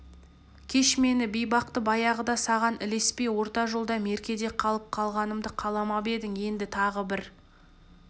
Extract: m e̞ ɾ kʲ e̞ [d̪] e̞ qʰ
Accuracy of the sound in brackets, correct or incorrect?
correct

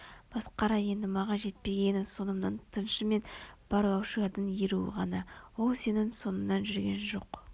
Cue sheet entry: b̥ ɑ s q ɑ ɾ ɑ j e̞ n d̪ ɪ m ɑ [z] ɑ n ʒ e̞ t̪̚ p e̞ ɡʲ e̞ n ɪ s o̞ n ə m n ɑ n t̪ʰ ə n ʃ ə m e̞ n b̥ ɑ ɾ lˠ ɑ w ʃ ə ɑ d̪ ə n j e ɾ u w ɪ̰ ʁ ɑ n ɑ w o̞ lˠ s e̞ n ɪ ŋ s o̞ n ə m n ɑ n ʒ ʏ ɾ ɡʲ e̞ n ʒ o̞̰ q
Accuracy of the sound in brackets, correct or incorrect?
incorrect: ʁ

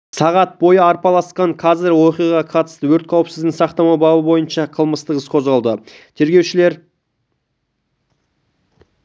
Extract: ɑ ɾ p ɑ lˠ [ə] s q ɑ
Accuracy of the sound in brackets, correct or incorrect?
incorrect: ɑ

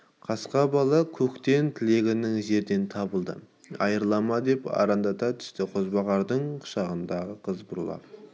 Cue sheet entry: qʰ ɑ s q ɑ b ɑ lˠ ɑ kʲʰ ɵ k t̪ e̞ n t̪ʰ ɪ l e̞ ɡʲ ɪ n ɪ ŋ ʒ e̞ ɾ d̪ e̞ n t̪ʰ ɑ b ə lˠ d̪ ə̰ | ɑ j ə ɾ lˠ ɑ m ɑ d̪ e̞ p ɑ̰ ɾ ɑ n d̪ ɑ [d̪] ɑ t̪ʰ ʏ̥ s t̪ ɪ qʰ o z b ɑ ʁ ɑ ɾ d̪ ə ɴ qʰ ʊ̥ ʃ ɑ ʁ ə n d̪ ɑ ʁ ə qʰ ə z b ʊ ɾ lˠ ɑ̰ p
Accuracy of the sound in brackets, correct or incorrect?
incorrect: t̪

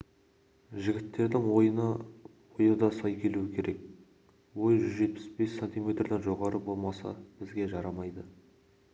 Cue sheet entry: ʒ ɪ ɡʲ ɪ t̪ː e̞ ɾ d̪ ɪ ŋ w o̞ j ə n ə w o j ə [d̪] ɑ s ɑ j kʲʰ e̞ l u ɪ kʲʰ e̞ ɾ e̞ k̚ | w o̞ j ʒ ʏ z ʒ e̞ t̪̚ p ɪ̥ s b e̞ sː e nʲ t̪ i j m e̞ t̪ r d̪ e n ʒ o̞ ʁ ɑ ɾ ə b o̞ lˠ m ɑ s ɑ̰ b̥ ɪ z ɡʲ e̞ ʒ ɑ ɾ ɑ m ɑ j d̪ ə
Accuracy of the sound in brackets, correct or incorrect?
correct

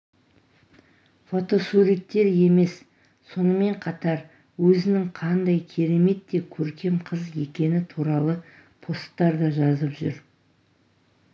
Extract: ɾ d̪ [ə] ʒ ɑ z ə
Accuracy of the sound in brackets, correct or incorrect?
incorrect: ɑ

